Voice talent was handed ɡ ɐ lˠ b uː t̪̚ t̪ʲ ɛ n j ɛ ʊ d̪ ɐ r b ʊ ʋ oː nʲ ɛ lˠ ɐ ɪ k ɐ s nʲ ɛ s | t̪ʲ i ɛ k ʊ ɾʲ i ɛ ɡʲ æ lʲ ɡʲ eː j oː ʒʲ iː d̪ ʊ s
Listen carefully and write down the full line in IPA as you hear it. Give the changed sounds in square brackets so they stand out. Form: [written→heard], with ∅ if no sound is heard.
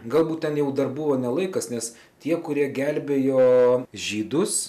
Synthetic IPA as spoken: ɡ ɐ lˠ b uː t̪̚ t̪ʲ ɛ n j ɛ ʊ d̪ ɐ r b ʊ ʋ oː nʲ ɛ lˠ ɐ ɪ k ɐ s nʲ ɛ s | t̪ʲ i ɛ k ʊ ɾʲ i ɛ ɡʲ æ lʲ [ɡʲ→bʲ] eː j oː ʒʲ iː d̪ ʊ s